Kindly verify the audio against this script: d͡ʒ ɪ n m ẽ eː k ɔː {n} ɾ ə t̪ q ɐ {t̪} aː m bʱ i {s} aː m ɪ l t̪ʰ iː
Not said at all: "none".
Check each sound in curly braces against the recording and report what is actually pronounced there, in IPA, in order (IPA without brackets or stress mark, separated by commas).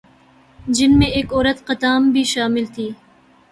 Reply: none, t̪, ʃ